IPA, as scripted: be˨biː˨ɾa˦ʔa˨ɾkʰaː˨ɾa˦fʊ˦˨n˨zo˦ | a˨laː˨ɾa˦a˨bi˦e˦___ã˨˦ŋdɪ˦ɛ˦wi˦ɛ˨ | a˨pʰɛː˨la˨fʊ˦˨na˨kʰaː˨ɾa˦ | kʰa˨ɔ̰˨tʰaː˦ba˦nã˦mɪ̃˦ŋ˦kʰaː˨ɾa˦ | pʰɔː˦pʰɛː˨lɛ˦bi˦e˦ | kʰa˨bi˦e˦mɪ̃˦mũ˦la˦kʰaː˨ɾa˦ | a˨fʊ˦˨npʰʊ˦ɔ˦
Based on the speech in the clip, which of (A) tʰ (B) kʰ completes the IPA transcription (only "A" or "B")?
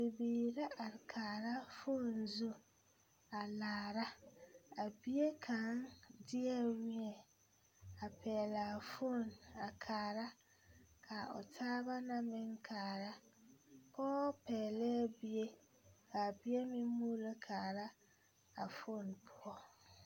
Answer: B